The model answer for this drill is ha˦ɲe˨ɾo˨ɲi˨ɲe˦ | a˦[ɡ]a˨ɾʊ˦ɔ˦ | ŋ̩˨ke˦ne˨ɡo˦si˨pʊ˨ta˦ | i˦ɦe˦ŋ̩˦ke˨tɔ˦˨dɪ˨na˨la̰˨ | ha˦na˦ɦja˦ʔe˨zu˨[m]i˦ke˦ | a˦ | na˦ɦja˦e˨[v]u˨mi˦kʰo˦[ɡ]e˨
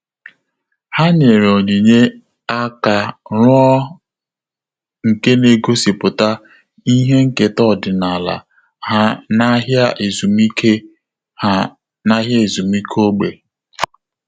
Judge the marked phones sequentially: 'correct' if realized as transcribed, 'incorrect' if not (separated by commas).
incorrect, correct, incorrect, incorrect